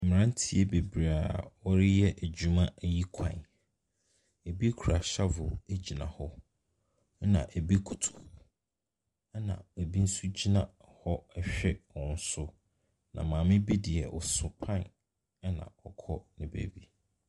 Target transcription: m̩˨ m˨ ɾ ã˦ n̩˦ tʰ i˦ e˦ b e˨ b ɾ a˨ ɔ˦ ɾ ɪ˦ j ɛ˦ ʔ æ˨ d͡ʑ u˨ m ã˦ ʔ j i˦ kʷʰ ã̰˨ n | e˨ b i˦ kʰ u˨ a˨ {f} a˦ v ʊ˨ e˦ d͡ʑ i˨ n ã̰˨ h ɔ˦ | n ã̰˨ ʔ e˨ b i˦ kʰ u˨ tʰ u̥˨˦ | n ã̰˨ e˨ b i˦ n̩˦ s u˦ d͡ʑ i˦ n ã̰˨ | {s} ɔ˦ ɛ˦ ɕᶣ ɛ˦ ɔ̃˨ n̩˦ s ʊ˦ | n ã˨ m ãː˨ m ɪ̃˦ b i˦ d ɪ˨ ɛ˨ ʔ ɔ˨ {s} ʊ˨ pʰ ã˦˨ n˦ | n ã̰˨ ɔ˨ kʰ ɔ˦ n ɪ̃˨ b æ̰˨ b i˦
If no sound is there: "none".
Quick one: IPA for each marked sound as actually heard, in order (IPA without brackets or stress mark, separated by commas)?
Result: ɕ, h, s